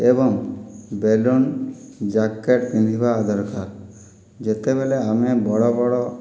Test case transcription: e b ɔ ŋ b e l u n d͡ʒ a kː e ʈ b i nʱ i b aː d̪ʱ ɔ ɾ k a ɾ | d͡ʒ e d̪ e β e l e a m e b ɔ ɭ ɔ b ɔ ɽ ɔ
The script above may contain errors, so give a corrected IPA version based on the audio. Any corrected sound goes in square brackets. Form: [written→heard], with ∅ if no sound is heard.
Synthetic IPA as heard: e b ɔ ŋ b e l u n d͡ʒ a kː e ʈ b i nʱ i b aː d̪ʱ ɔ ɾ k a ɾ | d͡ʒ e [d̪→t̪] e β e l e a m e b ɔ [ɭ→ɽ] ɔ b ɔ ɽ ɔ